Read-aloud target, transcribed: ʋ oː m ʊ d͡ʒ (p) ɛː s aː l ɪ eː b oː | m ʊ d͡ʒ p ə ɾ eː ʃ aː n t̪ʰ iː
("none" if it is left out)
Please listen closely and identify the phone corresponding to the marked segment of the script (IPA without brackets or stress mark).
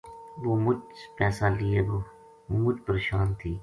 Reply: p